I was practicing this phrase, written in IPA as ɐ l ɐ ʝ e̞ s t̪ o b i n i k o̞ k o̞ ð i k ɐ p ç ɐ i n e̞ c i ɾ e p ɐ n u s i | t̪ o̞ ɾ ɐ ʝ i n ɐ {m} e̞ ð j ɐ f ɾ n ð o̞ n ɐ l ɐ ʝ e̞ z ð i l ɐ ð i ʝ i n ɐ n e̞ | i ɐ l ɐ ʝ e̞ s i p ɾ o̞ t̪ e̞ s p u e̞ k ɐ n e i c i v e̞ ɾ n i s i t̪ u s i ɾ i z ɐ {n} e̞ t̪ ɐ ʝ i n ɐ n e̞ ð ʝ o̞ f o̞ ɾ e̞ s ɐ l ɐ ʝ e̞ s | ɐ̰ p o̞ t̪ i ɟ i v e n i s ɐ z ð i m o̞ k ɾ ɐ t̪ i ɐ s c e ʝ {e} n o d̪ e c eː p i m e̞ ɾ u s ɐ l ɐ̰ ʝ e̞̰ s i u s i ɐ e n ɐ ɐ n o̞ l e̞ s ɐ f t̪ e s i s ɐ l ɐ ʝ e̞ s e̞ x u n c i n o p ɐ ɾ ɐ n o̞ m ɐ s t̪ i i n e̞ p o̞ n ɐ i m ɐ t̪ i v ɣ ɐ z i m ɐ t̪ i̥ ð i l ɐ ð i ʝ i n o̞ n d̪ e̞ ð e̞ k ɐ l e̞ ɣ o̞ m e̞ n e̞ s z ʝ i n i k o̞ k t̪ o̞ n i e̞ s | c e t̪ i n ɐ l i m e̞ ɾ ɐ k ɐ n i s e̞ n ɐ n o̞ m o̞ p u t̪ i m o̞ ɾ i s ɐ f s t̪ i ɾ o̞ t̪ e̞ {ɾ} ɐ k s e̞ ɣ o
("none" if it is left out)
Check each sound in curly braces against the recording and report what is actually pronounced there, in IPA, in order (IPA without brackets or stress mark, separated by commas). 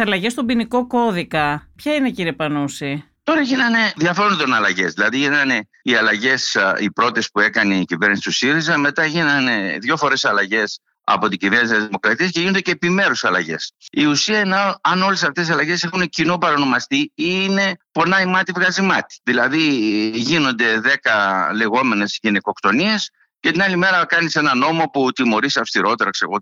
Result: n, m, i, ɾ